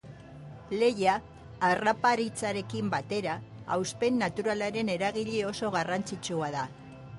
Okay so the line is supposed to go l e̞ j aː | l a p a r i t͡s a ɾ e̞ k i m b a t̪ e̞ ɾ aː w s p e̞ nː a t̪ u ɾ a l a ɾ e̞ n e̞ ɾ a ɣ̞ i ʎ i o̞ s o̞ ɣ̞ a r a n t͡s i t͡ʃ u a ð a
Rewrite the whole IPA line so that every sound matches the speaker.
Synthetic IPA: l e̞ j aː | r a p a ɾ i t͡s a ɾ e̞ k i m b a t̪ e̞ ɾ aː w s p e̞ nː a t̪ u ɾ a l a ɾ e̞ n e̞ ɾ a ɣ̞ i ʎ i o̞ s o̞ ɣ̞ a r a n t͡s i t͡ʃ u a ð a